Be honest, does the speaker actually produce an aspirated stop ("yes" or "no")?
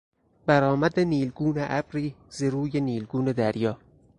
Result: no